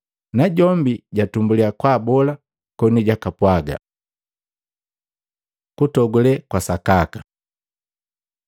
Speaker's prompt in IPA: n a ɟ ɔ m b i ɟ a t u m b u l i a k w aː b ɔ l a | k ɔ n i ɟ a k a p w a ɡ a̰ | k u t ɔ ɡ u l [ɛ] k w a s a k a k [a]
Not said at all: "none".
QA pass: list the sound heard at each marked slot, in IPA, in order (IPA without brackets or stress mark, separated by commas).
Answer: ɛ, a